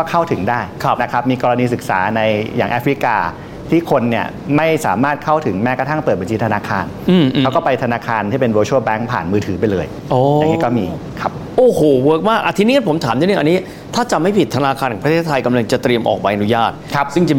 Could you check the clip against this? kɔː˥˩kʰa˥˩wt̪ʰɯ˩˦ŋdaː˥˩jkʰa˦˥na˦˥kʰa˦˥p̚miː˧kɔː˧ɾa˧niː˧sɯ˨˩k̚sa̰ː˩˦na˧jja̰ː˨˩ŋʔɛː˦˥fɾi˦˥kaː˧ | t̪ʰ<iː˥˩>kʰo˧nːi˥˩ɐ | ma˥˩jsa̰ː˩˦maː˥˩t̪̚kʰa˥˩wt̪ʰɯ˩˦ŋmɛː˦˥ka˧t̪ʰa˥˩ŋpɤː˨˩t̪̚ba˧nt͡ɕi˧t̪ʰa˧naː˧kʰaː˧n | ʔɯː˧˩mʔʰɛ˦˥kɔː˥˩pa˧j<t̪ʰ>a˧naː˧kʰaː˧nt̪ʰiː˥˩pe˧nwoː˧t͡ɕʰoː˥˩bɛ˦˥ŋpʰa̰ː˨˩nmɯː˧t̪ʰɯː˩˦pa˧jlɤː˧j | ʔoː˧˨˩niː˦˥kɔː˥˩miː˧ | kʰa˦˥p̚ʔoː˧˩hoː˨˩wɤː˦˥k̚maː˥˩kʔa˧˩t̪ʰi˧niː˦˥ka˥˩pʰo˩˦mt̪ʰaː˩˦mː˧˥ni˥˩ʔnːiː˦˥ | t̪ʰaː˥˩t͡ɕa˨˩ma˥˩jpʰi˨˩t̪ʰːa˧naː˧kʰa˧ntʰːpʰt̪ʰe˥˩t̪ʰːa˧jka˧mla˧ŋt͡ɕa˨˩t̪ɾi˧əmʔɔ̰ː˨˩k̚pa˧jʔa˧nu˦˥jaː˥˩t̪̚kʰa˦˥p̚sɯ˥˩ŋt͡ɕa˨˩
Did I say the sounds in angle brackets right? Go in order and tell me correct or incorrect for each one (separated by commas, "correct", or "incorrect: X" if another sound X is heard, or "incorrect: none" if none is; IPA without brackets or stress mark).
correct, correct